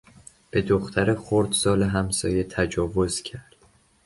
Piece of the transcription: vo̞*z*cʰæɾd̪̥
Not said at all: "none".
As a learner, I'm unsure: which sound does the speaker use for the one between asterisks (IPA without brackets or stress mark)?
z